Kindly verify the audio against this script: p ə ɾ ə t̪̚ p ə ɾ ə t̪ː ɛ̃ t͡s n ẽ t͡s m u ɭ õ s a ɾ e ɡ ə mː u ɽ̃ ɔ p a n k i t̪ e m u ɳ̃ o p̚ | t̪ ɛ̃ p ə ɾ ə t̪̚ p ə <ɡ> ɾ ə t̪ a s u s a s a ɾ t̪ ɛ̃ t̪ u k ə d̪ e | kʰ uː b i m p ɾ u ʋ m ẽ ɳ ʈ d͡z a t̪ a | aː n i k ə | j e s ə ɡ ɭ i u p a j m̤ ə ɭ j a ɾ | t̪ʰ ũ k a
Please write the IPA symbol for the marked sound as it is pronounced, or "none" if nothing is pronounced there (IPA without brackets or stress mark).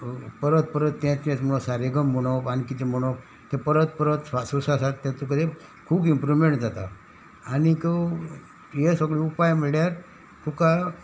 none